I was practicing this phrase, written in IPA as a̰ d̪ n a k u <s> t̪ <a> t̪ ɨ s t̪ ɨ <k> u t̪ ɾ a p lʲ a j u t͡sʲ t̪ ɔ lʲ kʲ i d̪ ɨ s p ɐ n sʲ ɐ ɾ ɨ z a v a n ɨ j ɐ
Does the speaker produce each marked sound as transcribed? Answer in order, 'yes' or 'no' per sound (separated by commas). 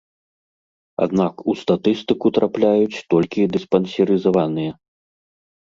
yes, yes, yes